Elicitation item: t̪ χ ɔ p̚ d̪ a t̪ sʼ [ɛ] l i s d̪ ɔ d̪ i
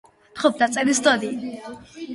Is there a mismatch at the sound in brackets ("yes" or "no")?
no